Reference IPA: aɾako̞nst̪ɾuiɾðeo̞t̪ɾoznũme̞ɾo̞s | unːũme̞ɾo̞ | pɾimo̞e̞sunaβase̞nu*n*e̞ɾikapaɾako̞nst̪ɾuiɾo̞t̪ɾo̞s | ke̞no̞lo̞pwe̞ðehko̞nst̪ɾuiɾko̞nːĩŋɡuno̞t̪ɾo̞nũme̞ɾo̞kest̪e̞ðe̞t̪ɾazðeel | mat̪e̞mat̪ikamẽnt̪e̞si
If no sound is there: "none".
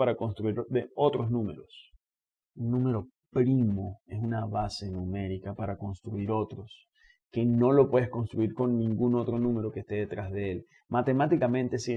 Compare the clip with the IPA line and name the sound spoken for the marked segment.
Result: m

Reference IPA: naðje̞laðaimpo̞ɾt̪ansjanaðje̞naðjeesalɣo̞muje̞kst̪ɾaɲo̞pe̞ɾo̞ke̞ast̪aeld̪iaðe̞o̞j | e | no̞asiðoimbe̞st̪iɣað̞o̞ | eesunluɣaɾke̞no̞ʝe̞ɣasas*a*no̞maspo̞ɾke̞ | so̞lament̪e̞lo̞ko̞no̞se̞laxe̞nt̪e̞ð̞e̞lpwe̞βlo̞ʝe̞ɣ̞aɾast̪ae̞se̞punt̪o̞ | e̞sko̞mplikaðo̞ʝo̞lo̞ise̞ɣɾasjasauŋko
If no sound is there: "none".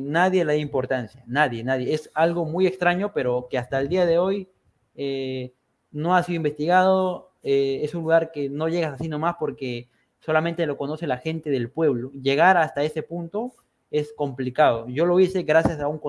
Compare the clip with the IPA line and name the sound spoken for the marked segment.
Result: i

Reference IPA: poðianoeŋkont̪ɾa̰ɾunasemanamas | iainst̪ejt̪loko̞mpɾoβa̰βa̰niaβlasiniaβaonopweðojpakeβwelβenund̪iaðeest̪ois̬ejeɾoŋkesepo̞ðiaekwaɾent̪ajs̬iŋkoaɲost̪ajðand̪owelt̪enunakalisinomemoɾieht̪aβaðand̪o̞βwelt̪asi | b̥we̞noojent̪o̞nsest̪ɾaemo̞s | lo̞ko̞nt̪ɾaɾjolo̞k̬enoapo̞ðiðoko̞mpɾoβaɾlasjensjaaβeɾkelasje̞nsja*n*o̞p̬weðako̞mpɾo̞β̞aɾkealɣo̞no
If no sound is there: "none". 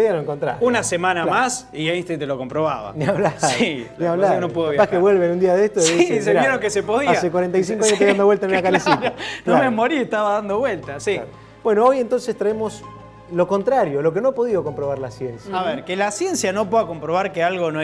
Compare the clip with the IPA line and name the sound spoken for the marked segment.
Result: n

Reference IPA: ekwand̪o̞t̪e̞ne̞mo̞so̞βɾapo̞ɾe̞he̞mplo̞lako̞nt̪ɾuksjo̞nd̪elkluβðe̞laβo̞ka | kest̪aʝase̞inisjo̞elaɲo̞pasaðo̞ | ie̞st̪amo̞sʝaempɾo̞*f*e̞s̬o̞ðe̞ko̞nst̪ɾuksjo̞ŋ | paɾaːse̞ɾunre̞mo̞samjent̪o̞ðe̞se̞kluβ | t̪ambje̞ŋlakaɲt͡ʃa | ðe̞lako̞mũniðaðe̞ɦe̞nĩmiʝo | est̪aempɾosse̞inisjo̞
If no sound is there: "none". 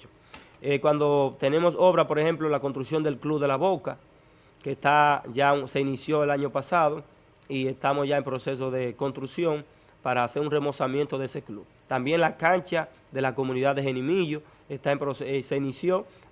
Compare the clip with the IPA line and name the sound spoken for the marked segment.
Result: s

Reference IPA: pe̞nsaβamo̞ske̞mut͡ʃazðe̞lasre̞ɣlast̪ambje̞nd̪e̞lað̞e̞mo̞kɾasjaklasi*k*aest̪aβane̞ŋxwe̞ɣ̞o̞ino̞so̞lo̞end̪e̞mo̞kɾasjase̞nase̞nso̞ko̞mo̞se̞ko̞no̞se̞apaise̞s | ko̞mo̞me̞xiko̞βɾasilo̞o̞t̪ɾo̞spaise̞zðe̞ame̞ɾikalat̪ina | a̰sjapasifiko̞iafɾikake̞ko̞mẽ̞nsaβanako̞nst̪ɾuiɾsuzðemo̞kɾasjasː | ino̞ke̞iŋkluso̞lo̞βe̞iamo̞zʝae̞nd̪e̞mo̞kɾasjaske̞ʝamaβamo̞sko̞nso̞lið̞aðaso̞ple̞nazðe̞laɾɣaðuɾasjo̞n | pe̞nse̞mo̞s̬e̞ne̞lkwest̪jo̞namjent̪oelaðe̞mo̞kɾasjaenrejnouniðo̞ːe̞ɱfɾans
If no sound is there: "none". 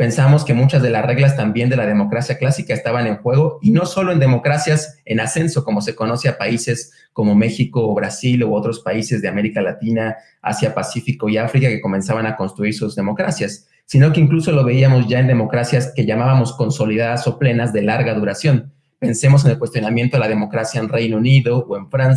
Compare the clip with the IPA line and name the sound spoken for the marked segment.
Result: k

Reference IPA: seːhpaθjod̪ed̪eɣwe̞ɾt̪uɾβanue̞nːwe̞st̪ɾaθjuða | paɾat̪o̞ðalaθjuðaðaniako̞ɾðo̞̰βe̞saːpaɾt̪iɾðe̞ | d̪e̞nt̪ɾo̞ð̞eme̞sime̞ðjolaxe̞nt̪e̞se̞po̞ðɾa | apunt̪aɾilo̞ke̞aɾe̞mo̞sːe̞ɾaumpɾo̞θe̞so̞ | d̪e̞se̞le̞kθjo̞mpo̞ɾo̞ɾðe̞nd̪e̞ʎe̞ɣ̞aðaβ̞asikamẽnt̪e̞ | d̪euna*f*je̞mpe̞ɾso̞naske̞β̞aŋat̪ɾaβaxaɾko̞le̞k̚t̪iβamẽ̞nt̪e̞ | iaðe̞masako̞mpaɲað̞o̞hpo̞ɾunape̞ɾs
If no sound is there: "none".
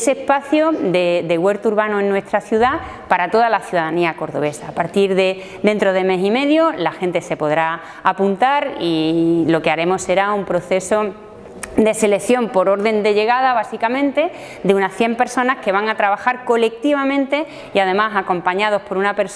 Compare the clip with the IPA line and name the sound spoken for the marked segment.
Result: θ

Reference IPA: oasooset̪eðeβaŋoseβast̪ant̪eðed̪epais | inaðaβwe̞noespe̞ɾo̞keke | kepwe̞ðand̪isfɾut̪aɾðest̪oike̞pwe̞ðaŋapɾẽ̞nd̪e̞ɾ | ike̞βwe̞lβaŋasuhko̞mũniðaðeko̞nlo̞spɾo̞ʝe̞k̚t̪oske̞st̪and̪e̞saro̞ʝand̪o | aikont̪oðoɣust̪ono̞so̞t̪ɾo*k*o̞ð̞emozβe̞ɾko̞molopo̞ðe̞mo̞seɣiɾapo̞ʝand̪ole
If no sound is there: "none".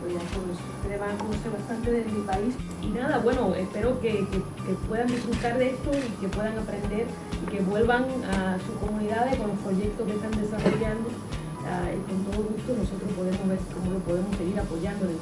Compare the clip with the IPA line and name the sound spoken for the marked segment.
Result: p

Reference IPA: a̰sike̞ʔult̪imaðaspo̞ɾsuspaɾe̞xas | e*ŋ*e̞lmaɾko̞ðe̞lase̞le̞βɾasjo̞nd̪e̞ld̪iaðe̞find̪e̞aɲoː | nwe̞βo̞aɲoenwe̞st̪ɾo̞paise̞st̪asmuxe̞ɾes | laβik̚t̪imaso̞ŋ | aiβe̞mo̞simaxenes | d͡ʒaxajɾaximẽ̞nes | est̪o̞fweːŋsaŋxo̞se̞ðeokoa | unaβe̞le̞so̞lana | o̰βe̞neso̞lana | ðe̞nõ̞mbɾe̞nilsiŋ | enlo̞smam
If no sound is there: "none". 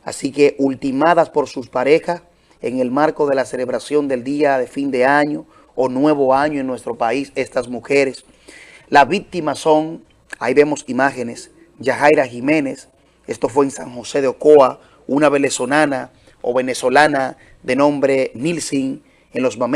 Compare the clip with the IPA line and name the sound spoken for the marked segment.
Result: ŋ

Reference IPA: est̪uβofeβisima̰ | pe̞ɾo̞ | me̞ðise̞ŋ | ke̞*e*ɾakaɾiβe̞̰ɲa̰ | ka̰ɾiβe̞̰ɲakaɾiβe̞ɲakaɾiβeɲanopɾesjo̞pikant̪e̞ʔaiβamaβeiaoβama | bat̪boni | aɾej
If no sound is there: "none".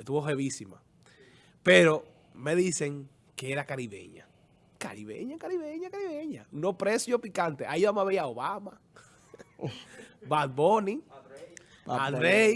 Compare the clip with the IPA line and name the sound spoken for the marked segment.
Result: e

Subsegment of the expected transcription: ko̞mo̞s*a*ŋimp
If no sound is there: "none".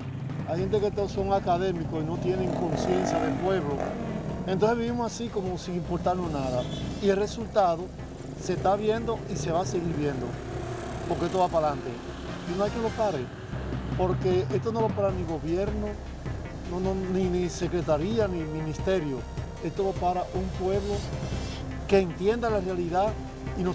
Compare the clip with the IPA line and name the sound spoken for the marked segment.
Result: i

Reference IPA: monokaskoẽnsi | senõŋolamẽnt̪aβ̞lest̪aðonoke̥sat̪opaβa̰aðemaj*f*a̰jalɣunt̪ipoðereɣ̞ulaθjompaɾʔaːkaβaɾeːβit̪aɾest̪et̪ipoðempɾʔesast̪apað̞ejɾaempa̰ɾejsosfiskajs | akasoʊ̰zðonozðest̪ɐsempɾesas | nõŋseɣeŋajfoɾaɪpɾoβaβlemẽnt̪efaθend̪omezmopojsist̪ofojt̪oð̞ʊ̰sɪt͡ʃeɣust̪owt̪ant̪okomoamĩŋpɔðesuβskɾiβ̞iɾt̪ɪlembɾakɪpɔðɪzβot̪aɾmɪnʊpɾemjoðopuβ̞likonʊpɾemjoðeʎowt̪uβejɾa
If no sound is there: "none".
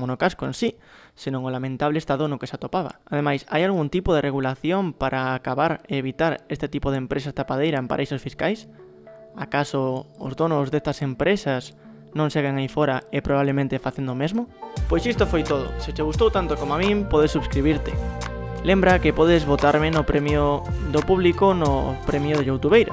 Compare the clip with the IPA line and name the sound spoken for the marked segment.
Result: s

